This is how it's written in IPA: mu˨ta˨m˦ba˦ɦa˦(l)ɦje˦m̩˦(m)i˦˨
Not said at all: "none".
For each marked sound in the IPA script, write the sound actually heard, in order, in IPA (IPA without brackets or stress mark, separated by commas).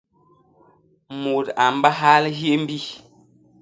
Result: l, b